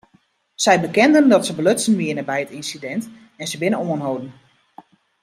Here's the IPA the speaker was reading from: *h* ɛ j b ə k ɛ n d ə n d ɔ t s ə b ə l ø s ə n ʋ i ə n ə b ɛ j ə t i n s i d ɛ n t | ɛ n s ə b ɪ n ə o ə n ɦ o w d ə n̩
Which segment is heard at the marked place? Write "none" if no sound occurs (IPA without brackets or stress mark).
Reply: s